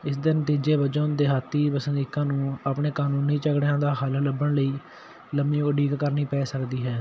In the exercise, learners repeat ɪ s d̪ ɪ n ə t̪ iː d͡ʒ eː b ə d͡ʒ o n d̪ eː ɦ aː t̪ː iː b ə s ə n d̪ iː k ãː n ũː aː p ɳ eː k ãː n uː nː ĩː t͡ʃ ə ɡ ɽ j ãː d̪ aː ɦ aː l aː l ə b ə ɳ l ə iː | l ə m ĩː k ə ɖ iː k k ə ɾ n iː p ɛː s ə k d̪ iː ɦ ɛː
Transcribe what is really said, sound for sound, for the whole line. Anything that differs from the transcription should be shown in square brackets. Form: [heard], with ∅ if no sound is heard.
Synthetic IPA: ɪ s d̪ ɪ n ə t̪ iː d͡ʒ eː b ə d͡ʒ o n d̪ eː ɦ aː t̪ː iː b ə s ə n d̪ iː k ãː n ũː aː p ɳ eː k [aː] n uː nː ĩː t͡ʃ ə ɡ ɽ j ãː d̪ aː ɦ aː l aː l ə b ə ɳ l ə iː | l ə m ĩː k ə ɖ iː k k ə ɾ n iː p ɛː s ə k d̪ iː ɦ ɛː